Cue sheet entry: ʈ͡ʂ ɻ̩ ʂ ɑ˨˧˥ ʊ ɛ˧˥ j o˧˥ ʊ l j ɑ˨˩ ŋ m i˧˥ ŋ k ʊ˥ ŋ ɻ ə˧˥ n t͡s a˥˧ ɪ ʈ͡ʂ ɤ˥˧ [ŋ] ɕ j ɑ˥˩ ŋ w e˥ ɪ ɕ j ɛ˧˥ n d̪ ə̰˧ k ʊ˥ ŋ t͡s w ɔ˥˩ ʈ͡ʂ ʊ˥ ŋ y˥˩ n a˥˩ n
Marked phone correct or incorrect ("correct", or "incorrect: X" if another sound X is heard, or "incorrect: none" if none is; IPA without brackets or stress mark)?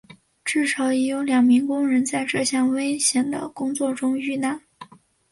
incorrect: none